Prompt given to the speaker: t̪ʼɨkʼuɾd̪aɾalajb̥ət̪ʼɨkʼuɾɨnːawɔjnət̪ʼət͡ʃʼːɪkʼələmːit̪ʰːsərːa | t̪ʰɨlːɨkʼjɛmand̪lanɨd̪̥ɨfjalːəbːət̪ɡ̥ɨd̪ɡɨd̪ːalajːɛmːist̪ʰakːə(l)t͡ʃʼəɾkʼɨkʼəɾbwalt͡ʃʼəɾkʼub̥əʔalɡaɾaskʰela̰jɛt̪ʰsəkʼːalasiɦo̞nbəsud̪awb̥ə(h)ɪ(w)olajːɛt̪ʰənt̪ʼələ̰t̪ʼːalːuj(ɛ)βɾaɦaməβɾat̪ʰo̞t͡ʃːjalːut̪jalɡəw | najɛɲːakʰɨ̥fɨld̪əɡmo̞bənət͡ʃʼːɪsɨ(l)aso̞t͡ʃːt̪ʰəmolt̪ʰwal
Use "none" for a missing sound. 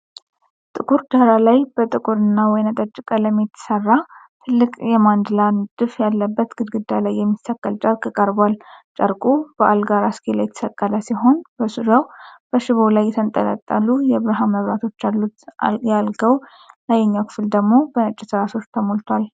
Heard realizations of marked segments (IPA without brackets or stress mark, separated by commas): l, ʃ, β, ɛ, ɾ